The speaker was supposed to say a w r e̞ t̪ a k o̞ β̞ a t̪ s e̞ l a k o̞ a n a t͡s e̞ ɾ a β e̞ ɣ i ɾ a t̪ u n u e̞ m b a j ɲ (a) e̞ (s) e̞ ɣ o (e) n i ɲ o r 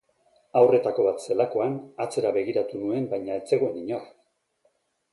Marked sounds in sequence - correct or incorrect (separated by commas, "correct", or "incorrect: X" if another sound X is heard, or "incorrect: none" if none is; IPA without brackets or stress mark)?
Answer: correct, incorrect: t͡s, correct